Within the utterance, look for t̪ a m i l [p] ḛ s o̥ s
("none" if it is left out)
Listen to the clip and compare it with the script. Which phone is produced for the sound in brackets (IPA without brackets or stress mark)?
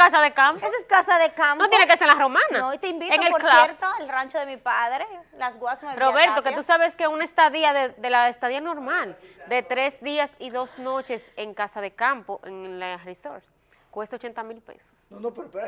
p